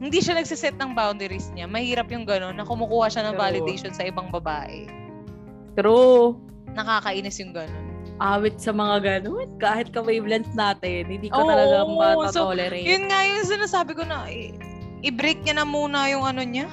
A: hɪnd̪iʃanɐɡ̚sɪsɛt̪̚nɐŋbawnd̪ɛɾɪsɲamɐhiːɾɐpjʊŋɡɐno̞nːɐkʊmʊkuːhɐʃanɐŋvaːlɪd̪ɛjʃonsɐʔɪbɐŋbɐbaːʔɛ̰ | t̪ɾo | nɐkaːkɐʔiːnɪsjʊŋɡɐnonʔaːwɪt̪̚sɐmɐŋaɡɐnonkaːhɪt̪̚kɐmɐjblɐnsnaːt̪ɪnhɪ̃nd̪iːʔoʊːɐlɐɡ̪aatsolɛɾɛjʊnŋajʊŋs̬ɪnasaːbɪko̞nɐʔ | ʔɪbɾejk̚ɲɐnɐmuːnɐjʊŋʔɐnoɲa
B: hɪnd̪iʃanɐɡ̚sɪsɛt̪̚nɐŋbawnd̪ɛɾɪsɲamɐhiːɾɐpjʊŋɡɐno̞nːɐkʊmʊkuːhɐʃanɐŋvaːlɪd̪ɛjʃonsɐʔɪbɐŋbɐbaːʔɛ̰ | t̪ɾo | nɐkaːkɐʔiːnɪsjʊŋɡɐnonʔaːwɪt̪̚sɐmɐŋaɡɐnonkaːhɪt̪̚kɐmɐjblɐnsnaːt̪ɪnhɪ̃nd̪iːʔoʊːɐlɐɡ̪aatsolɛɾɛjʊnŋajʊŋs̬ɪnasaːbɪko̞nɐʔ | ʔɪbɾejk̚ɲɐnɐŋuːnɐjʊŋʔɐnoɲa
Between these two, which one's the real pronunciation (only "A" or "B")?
A